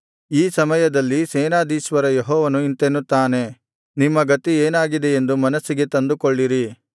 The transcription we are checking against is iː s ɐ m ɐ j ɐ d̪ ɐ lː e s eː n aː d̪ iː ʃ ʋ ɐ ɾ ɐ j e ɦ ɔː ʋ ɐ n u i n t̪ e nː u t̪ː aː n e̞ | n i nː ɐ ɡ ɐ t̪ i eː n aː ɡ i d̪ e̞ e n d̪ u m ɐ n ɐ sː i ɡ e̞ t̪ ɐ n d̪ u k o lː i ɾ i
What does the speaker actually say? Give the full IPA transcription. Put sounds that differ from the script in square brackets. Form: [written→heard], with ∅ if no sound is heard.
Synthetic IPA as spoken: iː s ɐ m ɐ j ɐ d̪ ɐ lː [e→i] s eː n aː d̪ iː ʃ ʋ ɐ ɾ ɐ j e ɦ ɔː ʋ ɐ n u i n t̪ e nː u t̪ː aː n e̞ | n i [nː→mː] ɐ ɡ ɐ t̪ i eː n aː ɡ i d̪ e̞ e n d̪ u m ɐ n ɐ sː i ɡ e̞ t̪ ɐ n d̪ u k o [lː→ɭː] i ɾ i